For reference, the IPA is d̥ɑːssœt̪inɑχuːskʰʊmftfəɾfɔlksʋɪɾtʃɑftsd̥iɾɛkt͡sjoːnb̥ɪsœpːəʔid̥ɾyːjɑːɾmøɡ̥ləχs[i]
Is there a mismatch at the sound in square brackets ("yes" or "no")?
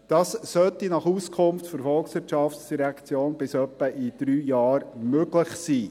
yes